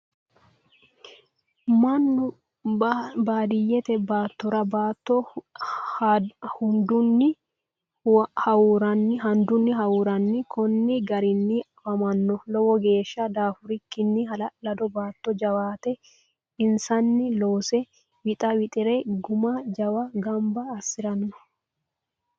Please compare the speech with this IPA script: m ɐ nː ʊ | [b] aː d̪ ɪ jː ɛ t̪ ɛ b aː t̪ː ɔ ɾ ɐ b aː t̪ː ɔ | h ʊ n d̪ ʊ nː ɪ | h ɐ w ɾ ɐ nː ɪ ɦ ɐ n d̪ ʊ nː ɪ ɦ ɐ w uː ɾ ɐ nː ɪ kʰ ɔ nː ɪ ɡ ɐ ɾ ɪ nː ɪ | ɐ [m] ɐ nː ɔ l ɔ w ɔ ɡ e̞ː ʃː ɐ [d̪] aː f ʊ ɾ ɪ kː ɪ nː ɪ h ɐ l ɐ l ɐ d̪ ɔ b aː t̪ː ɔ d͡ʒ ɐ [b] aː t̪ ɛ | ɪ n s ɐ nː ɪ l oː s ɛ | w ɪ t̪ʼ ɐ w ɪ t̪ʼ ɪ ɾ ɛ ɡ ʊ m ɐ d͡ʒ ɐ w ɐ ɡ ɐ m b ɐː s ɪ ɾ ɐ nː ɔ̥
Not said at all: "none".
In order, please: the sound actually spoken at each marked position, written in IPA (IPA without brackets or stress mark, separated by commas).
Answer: b, m, d̪, w